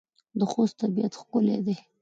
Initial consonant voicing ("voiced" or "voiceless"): voiced